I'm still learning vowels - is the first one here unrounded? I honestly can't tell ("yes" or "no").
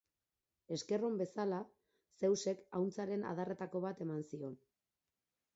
yes